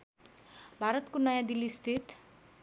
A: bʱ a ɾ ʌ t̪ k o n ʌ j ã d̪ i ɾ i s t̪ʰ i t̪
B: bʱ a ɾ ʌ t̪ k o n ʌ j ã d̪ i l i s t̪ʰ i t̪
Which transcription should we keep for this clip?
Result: B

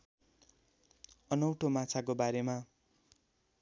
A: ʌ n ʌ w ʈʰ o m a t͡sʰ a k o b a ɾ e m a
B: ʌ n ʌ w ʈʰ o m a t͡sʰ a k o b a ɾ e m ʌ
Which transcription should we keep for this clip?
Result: A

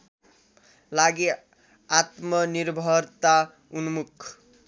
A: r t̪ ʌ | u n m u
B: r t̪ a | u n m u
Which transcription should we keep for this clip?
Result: B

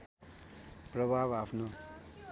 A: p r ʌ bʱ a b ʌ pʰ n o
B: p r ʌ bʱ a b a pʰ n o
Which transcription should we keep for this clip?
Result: B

